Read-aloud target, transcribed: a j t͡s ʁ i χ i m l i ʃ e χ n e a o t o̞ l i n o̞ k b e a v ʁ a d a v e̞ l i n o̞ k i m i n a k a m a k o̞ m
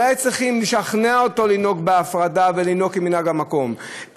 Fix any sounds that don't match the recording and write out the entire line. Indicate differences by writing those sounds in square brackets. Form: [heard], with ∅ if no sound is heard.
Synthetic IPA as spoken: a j t͡s ʁ i χ i m l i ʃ [a] χ n e a o t o̞ l i n o̞ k b e a [f] ʁ a d a v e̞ l i n o̞ k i m i n a [ɡ] a m a k o̞ m